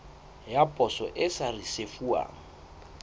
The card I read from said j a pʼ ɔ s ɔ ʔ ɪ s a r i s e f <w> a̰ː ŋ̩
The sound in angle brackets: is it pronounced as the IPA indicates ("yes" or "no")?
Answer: no